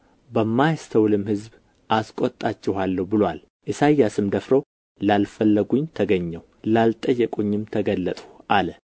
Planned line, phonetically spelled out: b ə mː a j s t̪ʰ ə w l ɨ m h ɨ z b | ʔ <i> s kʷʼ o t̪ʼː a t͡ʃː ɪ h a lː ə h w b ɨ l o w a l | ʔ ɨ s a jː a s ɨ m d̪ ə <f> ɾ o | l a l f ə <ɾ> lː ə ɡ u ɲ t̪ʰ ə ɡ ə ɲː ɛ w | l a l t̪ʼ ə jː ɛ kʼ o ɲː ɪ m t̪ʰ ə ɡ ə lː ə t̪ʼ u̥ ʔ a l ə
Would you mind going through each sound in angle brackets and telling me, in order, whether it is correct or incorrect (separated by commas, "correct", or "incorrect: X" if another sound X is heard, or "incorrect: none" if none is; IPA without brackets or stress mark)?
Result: incorrect: a, correct, incorrect: none